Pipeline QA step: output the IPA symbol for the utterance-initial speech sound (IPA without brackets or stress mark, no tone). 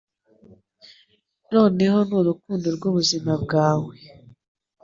n